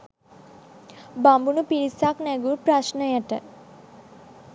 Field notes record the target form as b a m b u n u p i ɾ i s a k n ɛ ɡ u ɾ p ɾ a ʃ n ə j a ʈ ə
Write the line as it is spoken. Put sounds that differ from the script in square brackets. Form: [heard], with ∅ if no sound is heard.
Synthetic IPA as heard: b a m b u n u p i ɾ i s a k n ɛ ɡ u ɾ p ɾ a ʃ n ə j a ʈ ə